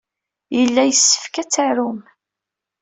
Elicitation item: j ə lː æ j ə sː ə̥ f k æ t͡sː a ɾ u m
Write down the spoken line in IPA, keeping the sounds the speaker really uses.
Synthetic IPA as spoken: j ə lː æ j ə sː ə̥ f k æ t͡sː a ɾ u m